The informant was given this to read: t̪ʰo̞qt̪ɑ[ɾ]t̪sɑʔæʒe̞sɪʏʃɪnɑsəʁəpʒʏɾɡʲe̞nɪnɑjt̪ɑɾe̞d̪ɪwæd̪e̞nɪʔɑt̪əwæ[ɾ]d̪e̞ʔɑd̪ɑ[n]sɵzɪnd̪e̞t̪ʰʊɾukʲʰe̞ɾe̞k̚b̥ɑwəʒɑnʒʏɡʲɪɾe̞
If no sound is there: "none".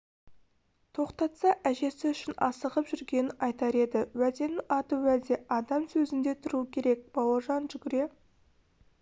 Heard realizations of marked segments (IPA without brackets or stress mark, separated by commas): none, none, m